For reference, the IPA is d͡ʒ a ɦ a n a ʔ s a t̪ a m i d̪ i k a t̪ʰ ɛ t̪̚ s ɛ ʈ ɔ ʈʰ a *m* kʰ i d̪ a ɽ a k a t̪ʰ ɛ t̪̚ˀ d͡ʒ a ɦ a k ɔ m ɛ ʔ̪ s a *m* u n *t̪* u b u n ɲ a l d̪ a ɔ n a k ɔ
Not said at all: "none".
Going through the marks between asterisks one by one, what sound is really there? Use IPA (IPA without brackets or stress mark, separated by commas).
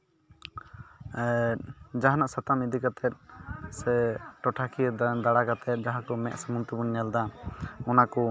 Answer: none, m, t̪